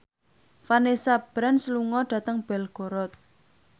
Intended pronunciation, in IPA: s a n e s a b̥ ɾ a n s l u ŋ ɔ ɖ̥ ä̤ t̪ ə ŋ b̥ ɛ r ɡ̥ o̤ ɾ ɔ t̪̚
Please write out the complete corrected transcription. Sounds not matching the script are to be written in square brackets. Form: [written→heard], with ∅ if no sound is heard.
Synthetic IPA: [s→f] a n e s a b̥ ɾ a n s l u ŋ ɔ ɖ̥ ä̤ t̪ ə ŋ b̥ ɛ [r→l] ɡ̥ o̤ ɾ ɔ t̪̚